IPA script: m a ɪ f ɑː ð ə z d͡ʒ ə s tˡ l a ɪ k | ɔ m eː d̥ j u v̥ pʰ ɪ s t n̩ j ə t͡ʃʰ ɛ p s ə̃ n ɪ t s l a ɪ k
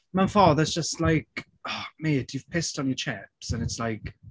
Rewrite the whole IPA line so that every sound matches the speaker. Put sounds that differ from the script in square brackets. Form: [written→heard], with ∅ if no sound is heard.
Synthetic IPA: m a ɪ f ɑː ð ə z d͡ʒ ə s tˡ l a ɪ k | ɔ m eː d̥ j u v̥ pʰ ɪ s t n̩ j ə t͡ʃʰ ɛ p s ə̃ n ɪ t s l a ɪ k